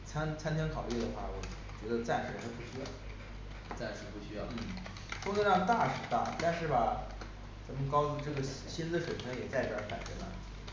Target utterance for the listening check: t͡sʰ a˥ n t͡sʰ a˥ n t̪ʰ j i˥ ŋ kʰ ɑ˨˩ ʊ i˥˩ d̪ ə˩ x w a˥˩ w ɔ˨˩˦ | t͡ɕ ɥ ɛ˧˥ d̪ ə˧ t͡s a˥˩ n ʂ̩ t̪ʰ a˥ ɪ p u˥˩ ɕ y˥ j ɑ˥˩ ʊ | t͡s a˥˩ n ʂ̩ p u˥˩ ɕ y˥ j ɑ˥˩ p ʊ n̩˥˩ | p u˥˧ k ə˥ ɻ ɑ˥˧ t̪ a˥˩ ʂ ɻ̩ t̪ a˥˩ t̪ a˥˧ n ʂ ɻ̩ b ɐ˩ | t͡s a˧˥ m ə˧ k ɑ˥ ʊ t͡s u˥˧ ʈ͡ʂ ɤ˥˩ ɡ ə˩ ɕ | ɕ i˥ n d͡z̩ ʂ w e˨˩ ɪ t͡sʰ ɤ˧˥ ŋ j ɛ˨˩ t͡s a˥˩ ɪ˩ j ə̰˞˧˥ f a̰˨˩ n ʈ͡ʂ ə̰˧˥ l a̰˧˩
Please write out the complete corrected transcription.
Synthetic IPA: t͡sʰ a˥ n t͡sʰ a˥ n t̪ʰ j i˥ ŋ kʰ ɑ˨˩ ʊ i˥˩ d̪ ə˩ x w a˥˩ w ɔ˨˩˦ | t͡ɕ ɥ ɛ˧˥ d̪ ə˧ t͡s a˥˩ n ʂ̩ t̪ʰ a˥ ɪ p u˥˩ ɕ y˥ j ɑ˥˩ ʊ | t͡s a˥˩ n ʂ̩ p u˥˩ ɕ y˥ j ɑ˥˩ ʊ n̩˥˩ | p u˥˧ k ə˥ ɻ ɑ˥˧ t̪ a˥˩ ʂ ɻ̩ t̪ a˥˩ t̪ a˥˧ n ʂ ɻ̩ b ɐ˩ | t͡s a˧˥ m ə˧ k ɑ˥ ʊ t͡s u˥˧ ʈ͡ʂ ɤ˥˩ ɡ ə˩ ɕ | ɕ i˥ n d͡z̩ ʂ w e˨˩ ɪ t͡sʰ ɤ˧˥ ŋ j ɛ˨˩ t͡s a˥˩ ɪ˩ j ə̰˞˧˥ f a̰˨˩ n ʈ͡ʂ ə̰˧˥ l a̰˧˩